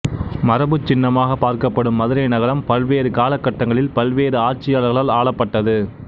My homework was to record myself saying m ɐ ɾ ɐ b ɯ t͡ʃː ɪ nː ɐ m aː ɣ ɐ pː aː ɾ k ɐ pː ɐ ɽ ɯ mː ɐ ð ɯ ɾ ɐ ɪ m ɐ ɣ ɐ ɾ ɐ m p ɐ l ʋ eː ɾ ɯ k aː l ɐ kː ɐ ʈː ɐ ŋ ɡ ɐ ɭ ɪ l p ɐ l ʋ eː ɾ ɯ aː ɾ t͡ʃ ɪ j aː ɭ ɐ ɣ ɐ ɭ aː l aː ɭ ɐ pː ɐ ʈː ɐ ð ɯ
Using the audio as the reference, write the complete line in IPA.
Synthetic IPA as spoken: m ɐ ɾ ɐ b ɯ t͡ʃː ɪ nː ɐ m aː ɣ ɐ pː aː ɾ k ɐ pː ɐ ɽ ɯ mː ɐ ð ɯ ɾ ɐ ɪ n ɐ ɣ ɐ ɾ ɐ m p ɐ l ʋ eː ɾ ɯ k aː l ɐ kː ɐ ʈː ɐ ŋ ɡ ɐ ɭ ɪ l p ɐ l ʋ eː ɾ ɯ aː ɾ t͡ʃ ɪ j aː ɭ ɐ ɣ ɐ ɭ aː l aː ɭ ɐ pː ɐ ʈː ɐ ð ɯ